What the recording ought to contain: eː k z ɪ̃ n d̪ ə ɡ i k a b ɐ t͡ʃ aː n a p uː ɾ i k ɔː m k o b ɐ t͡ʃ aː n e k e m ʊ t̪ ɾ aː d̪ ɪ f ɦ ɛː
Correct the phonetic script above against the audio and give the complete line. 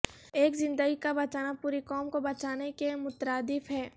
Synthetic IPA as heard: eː k z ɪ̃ n d̪ ə ɡ i k a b ɐ t͡ʃ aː n a p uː ɾ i k ɔː m k o b ɐ t͡ʃ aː n e k e m ʊ t̪ ɾ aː d̪ ɪ f ɦ ɛː